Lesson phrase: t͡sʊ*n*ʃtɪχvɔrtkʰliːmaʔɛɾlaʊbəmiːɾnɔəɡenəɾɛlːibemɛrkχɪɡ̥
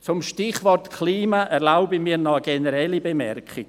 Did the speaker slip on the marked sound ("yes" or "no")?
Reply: yes